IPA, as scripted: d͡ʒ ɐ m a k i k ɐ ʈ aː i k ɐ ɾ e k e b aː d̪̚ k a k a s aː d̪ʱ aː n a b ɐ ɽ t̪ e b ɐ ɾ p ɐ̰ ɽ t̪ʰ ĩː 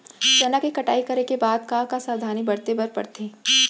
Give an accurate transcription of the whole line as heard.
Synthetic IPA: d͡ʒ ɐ n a k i k ɐ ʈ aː i k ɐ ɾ e k e b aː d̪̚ k a k a s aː d̪ʱ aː n i b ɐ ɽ t̪ e b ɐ ɾ p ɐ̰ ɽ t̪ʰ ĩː